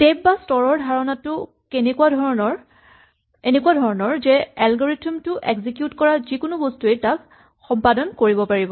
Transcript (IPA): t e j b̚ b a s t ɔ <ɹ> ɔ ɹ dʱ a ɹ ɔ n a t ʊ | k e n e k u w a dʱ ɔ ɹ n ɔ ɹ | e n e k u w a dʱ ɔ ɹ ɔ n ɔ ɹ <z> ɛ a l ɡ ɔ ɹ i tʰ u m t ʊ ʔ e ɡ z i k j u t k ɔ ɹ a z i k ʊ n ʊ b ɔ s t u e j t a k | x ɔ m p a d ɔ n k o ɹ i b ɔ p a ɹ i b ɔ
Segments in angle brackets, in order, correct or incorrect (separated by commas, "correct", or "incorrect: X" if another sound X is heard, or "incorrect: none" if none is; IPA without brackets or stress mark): correct, correct